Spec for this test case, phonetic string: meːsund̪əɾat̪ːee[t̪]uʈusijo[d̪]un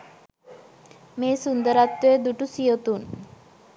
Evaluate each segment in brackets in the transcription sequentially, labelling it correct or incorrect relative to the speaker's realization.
incorrect: d̪, incorrect: t̪

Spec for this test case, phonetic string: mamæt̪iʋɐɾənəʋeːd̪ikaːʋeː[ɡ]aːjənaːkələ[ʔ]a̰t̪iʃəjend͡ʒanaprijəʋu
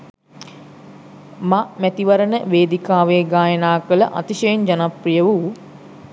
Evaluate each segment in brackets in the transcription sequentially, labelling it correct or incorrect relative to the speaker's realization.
correct, correct

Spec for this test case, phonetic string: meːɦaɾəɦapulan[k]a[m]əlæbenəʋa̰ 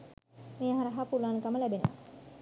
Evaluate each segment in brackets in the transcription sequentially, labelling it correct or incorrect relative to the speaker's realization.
correct, correct

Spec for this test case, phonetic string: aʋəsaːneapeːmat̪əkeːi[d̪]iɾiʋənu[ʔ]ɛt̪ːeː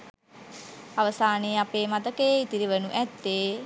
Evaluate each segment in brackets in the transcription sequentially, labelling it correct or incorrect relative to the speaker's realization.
incorrect: t̪, correct

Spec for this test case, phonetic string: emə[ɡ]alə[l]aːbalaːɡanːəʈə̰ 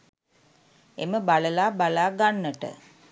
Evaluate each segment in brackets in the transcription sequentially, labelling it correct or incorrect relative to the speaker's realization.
incorrect: b, correct

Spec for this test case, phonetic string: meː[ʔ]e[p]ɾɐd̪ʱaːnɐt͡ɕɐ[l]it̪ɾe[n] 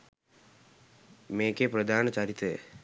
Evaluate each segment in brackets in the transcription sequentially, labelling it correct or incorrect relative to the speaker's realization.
incorrect: k, correct, incorrect: ɾ, incorrect: none

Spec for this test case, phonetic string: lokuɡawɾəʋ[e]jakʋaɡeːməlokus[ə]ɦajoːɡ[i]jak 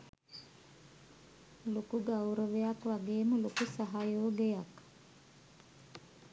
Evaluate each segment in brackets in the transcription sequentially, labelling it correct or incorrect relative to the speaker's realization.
correct, incorrect: a, incorrect: e

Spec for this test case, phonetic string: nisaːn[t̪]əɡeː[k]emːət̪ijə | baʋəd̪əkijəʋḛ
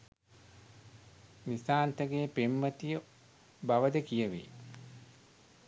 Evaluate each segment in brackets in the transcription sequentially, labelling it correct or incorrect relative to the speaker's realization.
correct, incorrect: p

